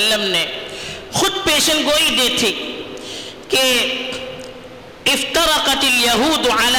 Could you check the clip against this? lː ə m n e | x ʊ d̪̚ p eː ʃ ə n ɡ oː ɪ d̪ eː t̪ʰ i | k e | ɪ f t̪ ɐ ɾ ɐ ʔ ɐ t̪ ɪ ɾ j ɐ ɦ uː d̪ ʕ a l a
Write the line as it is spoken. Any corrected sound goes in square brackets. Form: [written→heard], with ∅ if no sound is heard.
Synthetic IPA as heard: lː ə m n e | x ʊ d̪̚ p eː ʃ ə n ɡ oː [ɪ→i] d̪ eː t̪ʰ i | k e | ɪ f t̪ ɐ ɾ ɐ [ʔ→q] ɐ t̪ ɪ [ɾ→l] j ɐ ɦ uː d̪ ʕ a l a